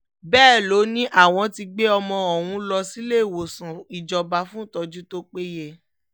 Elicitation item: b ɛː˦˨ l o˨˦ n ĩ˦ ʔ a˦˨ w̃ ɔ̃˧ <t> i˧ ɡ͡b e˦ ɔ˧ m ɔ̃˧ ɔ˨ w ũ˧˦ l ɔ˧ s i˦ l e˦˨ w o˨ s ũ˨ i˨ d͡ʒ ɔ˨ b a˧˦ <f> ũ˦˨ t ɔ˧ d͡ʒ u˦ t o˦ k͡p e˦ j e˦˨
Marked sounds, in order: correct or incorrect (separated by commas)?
correct, correct